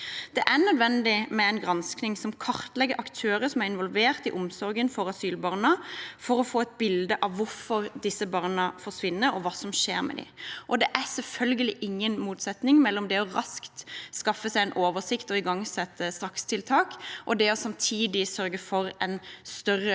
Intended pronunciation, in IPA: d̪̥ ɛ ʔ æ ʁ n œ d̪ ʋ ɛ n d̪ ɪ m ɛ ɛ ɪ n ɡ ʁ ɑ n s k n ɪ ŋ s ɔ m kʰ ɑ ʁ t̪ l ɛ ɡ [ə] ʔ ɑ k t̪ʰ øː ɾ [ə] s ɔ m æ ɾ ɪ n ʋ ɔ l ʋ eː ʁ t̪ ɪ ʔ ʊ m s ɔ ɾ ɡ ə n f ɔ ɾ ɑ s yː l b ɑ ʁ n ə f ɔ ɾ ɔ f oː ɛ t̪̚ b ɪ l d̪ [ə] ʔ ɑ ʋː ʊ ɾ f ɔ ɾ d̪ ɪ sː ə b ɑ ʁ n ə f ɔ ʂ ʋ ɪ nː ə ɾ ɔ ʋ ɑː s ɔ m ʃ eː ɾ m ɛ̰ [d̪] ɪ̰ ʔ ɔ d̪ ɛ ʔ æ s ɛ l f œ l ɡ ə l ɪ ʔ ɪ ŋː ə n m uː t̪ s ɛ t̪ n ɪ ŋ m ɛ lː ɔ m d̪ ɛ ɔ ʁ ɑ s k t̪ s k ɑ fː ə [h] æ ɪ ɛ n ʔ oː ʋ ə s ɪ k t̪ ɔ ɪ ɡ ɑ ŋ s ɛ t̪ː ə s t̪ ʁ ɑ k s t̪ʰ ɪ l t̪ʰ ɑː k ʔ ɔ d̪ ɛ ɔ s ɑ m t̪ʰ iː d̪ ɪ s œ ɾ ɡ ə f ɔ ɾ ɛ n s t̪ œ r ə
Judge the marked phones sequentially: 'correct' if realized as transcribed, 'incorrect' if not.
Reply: correct, correct, correct, correct, incorrect: s

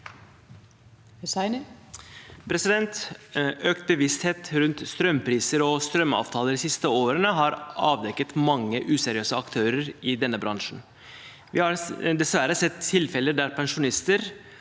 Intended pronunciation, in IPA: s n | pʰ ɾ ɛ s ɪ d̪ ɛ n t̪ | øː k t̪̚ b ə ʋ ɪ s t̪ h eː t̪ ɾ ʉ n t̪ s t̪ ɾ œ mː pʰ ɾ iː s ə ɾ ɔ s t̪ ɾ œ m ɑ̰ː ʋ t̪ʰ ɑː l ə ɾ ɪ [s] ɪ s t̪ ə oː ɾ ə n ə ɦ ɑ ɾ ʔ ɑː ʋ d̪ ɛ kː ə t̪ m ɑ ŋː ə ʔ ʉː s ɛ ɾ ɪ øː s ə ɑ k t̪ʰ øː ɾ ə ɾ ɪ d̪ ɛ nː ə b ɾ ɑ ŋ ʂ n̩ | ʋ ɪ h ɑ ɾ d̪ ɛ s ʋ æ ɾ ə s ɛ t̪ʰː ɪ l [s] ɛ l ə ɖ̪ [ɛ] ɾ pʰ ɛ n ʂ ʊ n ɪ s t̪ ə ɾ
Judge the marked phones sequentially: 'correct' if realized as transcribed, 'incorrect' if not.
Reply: correct, incorrect: f, incorrect: æ

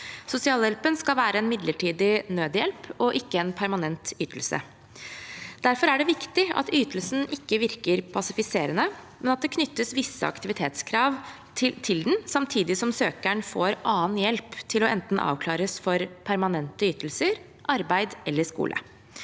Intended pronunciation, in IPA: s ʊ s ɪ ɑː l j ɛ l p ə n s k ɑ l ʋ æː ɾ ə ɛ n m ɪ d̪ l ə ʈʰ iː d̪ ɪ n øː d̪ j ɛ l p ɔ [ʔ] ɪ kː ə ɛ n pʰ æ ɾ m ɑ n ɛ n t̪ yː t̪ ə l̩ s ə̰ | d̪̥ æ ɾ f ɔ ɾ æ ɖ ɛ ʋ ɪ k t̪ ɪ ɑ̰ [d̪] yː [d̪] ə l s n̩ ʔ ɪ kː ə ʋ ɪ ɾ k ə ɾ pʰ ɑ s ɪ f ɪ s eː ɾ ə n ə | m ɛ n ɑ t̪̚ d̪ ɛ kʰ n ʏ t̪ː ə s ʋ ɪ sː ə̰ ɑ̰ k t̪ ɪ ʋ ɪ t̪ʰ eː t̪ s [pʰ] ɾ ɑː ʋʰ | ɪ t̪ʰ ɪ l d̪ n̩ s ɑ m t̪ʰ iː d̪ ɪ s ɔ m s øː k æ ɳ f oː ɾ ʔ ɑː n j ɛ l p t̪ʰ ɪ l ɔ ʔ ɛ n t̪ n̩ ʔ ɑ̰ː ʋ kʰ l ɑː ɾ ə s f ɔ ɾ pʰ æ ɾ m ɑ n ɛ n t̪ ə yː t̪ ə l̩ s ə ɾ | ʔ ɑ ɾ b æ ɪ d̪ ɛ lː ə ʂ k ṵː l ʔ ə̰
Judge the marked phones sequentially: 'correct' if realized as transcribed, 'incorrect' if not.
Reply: correct, incorrect: t̪, incorrect: t̪, incorrect: kʰ

